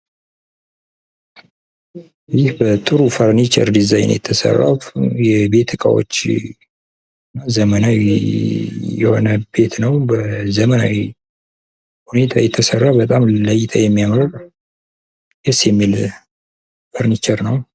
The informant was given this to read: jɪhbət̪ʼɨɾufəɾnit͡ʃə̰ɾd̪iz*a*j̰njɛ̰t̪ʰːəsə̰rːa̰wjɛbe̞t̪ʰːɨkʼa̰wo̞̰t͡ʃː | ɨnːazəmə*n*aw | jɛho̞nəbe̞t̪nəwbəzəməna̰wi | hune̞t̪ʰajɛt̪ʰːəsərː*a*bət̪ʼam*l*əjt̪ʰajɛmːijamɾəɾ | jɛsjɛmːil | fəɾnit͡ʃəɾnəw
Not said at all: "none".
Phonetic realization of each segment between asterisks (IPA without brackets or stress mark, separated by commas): a, n, a, l